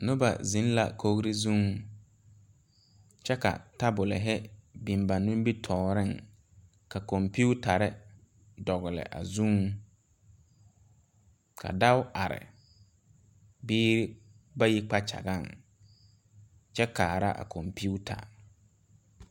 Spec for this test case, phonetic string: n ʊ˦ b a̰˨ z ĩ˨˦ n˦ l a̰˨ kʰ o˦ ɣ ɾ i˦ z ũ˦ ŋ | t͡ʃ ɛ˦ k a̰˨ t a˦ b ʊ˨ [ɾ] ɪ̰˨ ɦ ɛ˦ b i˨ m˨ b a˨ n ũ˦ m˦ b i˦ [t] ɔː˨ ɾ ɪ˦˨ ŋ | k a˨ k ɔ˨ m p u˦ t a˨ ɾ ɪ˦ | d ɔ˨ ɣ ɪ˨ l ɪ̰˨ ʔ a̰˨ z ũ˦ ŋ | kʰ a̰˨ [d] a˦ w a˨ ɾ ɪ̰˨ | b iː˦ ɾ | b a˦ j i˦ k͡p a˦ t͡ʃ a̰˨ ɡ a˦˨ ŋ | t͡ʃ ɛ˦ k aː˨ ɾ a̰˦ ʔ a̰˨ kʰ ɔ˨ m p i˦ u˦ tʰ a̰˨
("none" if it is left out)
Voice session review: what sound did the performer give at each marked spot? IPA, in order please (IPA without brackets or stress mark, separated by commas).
l, tʰ, d